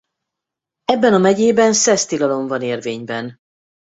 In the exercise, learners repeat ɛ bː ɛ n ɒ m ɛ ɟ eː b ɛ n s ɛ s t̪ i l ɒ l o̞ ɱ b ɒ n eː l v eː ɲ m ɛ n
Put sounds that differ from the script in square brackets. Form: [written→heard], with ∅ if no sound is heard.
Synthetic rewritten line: ɛ bː ɛ n ɒ m ɛ ɟ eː b ɛ n s ɛ s t̪ i l ɒ l o̞ ɱ [b→v] ɒ n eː [l→r] v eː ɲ [m→b] ɛ n